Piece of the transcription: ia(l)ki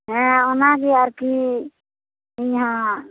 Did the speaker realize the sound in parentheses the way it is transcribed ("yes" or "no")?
no